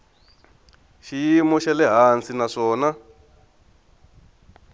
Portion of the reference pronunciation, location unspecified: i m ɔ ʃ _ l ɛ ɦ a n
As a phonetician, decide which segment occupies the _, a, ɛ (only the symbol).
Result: ɛ